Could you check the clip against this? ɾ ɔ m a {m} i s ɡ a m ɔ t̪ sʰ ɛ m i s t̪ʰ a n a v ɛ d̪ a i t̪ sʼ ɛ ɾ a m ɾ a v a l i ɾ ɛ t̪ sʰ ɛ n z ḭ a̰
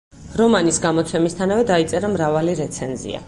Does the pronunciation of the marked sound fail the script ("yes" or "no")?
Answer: yes